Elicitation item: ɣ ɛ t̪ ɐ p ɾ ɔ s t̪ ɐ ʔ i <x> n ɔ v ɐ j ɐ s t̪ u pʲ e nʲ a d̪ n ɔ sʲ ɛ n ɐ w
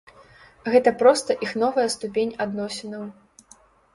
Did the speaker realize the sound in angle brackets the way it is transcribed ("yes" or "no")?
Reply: yes